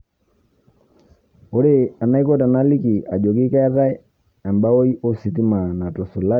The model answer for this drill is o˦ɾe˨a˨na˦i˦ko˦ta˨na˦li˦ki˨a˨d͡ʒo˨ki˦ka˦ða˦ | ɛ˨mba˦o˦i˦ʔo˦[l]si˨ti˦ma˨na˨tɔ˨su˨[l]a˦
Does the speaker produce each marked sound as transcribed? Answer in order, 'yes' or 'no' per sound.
no, yes

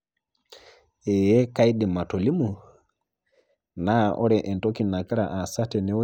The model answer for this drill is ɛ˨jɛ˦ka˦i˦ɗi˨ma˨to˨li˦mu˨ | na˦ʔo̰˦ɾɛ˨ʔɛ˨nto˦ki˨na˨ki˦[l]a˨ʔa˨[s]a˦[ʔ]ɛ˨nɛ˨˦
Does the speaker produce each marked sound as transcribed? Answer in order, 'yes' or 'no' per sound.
no, yes, no

